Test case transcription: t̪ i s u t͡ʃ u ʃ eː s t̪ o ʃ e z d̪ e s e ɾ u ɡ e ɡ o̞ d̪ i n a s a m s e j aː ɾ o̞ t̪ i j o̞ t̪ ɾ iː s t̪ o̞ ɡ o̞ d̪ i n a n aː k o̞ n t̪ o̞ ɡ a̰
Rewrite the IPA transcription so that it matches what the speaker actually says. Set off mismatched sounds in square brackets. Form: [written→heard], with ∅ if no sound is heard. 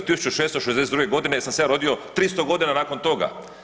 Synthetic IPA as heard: t̪ i s u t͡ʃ u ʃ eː s t̪ o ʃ e z d̪ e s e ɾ u ɡ e ɡ o̞ d̪ i n [a→e] s a m s e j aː ɾ o̞ [t̪→d̪] i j o̞ t̪ ɾ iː s t̪ o̞ ɡ o̞ d̪ i n a n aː k o̞ n t̪ o̞ ɡ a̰